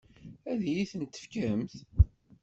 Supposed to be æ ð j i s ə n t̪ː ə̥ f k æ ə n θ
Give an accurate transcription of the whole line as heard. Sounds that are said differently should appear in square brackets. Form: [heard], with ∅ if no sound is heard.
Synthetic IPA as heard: æ ð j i [θ] ə n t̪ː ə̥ f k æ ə [m] θ